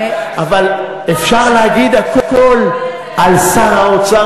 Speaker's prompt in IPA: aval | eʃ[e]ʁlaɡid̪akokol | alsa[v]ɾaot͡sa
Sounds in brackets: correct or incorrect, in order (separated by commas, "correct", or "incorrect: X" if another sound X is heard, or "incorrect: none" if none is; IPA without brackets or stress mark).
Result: incorrect: a, incorrect: none